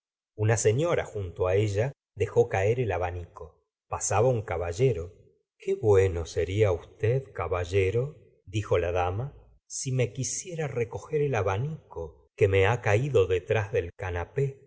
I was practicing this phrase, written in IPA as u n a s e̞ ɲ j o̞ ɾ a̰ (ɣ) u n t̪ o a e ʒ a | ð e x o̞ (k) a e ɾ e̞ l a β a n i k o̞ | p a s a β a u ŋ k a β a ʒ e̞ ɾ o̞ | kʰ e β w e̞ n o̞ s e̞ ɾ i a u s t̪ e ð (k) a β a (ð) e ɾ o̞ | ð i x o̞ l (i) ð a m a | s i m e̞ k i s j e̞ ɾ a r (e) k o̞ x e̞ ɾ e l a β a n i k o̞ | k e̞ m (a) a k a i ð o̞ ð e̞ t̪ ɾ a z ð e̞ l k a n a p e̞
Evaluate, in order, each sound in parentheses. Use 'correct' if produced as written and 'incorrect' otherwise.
incorrect: x, correct, correct, incorrect: ʒ, incorrect: a, correct, incorrect: e

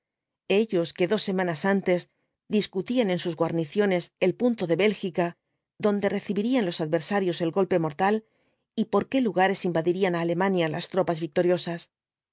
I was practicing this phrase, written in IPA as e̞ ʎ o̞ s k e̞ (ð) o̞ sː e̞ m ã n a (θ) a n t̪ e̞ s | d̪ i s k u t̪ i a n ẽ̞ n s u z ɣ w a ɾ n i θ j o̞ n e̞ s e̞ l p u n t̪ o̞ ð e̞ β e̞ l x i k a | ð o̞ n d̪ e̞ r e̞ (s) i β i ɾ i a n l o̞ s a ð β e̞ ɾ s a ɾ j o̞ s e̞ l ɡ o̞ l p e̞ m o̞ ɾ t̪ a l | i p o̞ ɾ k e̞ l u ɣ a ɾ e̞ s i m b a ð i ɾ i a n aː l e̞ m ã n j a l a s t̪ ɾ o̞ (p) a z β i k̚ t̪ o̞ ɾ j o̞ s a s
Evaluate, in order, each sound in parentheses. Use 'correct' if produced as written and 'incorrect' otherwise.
correct, incorrect: s, incorrect: θ, correct

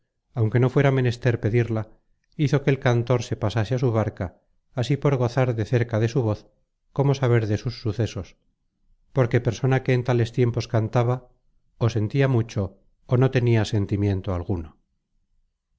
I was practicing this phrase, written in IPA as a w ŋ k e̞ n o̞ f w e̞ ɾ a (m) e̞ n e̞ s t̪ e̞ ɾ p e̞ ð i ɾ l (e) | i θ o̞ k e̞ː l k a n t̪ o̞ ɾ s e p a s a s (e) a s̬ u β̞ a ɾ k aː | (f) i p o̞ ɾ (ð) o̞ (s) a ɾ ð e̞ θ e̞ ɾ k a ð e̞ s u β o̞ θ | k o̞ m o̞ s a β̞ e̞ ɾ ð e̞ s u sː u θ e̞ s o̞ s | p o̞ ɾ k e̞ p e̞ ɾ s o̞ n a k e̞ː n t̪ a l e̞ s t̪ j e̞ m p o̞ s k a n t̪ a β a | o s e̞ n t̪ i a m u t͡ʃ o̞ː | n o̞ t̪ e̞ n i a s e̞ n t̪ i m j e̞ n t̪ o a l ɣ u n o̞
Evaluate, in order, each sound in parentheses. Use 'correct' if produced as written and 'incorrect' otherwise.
correct, incorrect: a, correct, incorrect: s, incorrect: ɣ, incorrect: θ

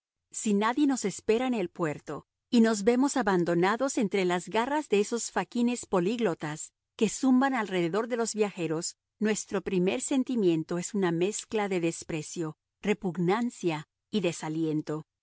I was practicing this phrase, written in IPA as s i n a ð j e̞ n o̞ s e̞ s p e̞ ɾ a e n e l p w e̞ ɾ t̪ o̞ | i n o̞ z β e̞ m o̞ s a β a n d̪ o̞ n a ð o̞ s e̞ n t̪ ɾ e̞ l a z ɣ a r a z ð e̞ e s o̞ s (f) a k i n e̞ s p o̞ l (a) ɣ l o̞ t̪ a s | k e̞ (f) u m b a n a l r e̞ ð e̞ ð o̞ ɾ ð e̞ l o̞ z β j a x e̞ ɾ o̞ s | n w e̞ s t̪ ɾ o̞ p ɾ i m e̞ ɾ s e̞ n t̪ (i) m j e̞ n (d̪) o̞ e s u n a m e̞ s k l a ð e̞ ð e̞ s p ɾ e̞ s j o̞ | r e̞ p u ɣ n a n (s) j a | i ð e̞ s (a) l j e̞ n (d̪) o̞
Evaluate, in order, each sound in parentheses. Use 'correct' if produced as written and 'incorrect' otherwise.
correct, incorrect: i, incorrect: s, correct, incorrect: t̪, correct, correct, incorrect: t̪

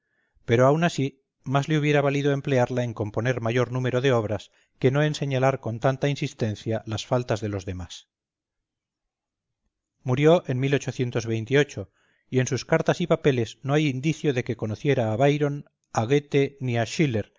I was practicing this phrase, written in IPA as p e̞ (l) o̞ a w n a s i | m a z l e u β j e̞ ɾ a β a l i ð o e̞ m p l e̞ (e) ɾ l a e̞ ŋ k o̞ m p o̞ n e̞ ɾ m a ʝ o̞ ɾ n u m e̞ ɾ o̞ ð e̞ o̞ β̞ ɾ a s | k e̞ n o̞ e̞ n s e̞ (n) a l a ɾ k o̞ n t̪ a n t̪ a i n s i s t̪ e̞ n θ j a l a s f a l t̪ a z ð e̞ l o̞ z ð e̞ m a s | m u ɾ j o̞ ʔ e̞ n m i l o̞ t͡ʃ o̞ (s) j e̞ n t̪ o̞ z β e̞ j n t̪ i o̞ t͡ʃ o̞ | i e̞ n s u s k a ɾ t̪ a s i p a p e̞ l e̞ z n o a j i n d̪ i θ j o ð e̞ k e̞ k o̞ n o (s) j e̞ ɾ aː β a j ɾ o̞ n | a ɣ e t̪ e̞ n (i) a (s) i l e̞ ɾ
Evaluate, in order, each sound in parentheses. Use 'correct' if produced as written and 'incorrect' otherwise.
incorrect: ɾ, incorrect: a, incorrect: ɲ, incorrect: θ, incorrect: θ, correct, incorrect: ʃ

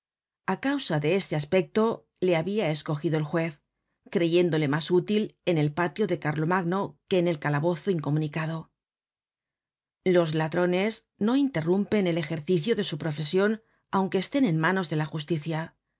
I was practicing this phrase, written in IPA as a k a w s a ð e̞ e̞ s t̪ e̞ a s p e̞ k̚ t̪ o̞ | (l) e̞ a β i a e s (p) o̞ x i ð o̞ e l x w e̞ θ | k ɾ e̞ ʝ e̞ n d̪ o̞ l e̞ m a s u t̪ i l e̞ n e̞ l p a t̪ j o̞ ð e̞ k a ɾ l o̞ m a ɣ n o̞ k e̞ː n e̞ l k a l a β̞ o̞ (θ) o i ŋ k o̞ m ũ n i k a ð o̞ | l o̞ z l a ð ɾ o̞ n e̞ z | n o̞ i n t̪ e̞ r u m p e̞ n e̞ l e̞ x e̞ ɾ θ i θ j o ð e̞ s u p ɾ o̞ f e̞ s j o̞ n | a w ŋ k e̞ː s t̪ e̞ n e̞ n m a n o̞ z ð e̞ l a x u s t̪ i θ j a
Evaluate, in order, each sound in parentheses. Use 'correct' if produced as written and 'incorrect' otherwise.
correct, incorrect: k, correct

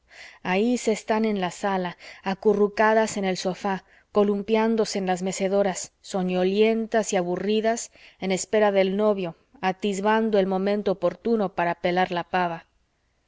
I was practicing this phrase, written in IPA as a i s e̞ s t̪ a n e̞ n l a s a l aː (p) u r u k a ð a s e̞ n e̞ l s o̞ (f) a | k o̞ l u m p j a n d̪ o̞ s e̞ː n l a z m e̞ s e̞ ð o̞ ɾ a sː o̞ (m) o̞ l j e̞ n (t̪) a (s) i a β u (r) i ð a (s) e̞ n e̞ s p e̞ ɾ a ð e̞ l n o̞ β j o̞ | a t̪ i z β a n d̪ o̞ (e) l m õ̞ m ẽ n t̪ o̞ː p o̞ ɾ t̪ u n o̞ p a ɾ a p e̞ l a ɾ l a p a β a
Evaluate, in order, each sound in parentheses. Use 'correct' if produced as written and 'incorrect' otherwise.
incorrect: k, correct, incorrect: ɲ, correct, correct, correct, correct, correct

